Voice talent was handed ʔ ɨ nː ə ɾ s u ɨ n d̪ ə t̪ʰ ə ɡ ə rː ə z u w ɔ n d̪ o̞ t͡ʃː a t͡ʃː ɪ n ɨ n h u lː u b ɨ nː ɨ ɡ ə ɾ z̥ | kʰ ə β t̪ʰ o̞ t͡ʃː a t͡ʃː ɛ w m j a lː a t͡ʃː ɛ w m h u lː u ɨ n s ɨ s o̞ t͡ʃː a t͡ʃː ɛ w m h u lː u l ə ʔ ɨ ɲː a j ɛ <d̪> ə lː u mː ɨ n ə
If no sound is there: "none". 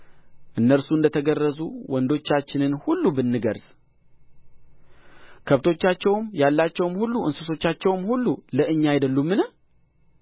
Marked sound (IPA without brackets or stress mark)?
d̪